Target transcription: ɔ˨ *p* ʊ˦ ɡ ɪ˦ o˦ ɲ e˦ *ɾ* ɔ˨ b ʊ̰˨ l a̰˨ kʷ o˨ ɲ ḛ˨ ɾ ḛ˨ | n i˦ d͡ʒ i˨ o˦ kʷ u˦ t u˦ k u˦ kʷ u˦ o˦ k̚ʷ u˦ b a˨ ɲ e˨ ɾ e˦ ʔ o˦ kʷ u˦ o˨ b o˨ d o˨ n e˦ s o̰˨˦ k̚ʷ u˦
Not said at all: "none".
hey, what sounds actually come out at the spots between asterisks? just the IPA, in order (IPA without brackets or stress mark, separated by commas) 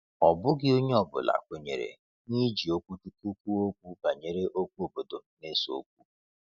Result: b, none